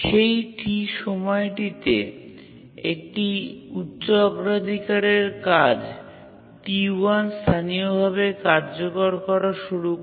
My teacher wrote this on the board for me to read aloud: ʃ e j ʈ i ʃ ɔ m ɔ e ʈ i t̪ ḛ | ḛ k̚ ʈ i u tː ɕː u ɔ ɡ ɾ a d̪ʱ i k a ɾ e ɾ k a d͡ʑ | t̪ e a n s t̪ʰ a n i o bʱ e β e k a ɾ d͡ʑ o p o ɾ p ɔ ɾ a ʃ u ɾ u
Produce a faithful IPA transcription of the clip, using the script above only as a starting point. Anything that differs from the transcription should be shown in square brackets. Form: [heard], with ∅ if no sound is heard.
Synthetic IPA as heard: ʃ e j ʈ i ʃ ɔ m ɔ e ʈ i t̪ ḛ | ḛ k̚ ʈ i u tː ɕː [o] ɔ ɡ ɾ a d̪ʱ i k a ɾ e ɾ k a d͡ʑ | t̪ [i] a n s t̪ʰ a n i o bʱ [a] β e k a ɾ d͡ʑ o [k] o ɾ [k] ɔ ɾ a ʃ u ɾ u